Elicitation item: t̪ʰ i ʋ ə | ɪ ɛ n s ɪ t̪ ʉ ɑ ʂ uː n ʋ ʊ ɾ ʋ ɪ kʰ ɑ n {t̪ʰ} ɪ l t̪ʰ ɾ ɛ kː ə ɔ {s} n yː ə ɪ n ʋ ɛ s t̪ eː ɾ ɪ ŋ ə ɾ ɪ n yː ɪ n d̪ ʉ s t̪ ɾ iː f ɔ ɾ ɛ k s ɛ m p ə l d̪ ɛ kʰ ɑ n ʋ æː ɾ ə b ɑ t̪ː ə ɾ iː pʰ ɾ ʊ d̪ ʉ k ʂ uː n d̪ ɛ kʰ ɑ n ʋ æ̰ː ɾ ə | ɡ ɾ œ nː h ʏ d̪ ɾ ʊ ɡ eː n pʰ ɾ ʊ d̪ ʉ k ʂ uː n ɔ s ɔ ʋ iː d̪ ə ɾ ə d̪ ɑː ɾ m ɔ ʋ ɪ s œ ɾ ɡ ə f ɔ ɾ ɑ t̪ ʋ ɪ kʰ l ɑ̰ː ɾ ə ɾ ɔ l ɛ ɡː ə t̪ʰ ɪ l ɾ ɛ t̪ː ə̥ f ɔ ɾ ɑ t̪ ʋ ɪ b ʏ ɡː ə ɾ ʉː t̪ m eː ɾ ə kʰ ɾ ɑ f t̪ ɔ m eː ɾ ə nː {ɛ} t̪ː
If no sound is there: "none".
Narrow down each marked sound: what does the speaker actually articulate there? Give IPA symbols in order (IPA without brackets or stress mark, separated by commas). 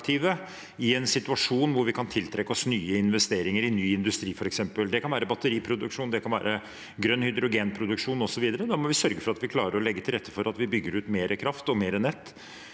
t̪ʰ, s, ɛ